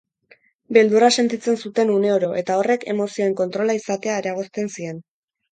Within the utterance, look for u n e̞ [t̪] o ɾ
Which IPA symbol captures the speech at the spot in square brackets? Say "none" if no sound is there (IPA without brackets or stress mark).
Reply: none